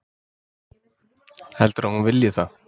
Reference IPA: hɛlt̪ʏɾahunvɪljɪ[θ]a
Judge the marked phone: correct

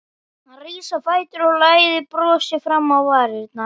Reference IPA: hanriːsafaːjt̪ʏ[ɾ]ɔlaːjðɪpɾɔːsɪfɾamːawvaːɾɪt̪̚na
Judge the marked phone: correct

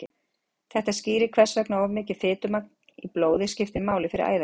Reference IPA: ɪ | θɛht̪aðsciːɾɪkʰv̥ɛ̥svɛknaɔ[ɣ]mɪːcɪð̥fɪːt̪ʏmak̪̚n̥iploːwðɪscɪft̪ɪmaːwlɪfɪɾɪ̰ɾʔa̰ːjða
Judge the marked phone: incorrect: v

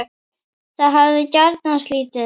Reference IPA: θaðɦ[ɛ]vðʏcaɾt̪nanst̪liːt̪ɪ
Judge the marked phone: incorrect: a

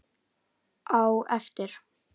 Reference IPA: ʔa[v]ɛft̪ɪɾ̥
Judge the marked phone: incorrect: w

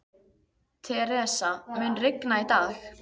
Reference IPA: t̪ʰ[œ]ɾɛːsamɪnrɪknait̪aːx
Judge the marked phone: incorrect: ɛ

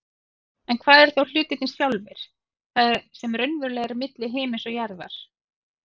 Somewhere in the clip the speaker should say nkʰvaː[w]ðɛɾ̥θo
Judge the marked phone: incorrect: none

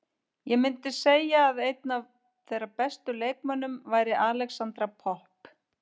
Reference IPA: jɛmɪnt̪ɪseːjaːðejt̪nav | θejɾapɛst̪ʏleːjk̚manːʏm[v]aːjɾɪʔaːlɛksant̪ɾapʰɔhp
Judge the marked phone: correct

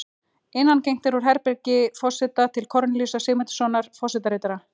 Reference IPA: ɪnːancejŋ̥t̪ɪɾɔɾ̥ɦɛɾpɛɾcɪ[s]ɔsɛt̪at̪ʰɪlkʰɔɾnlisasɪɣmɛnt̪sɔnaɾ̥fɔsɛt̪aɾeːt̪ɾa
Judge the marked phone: incorrect: f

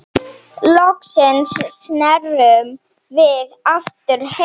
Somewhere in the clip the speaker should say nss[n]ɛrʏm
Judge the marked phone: correct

